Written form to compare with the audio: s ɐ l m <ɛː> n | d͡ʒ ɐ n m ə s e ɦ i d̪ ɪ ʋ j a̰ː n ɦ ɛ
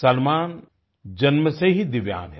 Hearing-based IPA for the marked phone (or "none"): aː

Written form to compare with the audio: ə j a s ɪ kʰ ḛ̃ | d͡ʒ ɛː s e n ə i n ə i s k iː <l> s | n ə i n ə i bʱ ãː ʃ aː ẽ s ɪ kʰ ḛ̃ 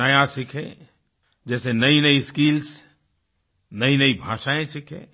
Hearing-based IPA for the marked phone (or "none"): l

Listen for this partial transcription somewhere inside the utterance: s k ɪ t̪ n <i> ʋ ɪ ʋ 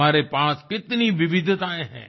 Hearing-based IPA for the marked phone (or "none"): i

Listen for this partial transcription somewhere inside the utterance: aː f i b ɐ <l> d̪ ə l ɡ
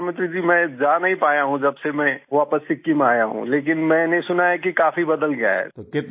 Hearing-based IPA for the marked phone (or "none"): none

